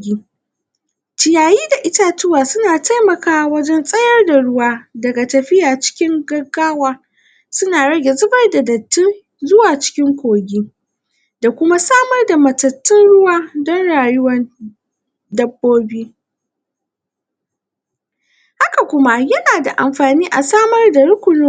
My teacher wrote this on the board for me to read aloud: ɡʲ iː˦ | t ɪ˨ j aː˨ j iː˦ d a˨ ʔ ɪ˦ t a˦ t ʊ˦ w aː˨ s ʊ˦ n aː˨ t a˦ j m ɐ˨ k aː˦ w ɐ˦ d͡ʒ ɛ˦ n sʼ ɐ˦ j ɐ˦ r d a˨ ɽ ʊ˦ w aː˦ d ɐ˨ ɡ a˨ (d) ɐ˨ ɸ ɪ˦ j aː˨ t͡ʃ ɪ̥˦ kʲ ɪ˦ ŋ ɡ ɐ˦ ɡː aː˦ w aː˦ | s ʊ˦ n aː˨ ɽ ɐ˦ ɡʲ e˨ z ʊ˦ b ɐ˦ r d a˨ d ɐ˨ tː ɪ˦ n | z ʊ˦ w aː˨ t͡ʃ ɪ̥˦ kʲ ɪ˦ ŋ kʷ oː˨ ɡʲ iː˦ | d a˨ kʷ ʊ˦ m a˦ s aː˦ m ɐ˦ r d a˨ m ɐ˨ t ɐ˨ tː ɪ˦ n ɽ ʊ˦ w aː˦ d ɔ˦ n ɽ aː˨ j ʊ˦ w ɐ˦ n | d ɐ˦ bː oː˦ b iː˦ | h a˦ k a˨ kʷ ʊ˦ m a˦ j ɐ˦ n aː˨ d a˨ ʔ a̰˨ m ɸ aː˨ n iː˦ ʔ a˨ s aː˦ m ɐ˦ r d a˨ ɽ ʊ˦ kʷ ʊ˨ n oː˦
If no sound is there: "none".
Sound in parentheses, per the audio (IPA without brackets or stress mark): t